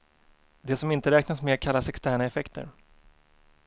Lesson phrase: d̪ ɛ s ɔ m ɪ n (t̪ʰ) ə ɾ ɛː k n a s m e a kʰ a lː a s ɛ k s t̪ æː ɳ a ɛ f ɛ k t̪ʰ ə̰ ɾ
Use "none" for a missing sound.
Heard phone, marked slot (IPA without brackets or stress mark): t̪